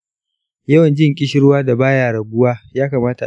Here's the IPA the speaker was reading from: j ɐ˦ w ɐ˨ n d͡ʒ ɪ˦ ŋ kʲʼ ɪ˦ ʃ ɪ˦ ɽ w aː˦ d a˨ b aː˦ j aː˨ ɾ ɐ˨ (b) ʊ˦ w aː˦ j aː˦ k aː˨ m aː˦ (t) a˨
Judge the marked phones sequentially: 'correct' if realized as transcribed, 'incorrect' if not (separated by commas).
correct, correct